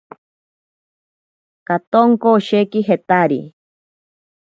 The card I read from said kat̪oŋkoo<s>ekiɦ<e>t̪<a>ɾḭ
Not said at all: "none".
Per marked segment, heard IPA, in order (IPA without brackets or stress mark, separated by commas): ʃ, e, a